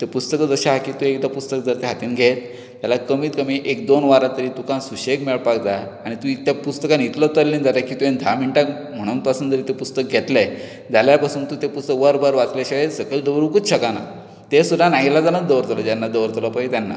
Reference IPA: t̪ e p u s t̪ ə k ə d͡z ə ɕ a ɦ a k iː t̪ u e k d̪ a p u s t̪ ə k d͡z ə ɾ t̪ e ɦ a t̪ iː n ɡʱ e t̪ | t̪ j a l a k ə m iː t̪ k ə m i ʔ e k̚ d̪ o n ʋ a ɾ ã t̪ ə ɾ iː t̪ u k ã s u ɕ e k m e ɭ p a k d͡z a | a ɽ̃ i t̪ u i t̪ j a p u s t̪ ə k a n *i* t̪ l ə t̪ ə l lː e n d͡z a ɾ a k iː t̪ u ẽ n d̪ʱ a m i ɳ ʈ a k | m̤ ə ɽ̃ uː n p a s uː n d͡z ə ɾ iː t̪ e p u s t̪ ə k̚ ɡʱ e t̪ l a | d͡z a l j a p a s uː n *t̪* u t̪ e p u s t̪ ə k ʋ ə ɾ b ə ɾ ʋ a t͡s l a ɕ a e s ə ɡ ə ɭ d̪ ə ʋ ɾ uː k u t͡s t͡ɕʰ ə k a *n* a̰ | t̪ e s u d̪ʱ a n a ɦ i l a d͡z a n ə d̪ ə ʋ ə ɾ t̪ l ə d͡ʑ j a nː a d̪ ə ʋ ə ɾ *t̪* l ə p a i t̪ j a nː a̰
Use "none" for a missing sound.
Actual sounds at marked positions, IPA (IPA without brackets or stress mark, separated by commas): i, t̪, n, t̪